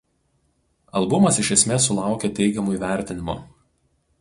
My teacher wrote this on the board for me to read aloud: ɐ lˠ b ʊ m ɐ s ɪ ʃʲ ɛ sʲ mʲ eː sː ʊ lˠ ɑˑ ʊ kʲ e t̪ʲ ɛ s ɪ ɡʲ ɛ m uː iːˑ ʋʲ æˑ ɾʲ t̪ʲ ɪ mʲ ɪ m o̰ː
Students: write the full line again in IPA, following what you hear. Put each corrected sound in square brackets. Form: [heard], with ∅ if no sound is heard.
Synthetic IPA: ɐ lˠ b ʊ m ɐ s ɪ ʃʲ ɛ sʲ mʲ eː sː ʊ lˠ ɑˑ ʊ kʲ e t̪ʲ ɛ [∅] ɪ ɡʲ ɛ m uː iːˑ ʋʲ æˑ ɾʲ t̪ʲ ɪ [nʲ] ɪ m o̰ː